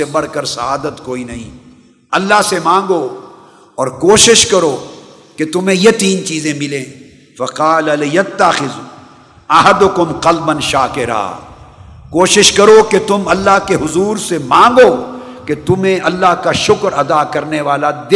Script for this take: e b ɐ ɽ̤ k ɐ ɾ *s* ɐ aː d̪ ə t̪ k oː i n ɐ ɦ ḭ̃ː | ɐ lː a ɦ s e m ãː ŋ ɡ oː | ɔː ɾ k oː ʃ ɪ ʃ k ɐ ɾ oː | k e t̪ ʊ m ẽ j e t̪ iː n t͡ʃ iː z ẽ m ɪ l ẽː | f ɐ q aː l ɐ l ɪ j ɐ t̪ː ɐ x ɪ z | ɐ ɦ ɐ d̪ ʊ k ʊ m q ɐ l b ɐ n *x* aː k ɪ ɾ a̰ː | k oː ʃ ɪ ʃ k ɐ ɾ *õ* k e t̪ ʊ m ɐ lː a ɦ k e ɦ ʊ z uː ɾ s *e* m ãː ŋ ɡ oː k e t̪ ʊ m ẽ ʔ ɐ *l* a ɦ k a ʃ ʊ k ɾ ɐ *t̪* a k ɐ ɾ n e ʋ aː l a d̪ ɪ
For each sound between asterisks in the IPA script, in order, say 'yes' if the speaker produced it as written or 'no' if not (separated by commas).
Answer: yes, no, no, yes, no, no